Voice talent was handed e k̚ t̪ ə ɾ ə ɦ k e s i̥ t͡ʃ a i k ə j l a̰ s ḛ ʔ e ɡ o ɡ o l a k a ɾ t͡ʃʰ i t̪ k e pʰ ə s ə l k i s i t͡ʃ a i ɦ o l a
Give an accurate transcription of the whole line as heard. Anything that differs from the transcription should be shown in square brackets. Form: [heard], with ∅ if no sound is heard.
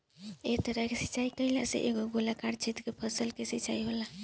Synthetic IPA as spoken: e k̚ t̪ ə ɾ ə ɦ k e s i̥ t͡ʃ a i k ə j l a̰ s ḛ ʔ e ɡ o ɡ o l a k a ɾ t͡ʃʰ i t̪ k e pʰ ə s ə l k [e] s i t͡ʃ a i ɦ o l a